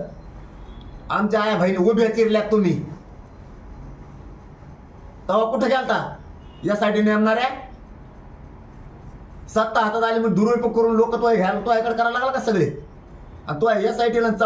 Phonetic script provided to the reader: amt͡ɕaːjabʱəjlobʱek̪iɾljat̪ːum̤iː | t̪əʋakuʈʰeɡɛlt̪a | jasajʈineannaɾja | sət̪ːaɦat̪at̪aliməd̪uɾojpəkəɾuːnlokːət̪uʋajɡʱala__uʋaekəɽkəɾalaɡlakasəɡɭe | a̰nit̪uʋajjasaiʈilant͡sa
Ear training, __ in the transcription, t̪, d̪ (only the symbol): t̪